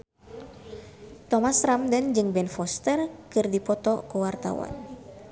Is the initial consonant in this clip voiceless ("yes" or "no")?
yes